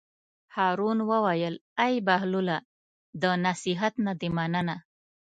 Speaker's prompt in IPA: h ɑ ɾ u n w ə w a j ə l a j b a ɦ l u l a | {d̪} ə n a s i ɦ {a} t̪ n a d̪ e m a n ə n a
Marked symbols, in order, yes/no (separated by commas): yes, yes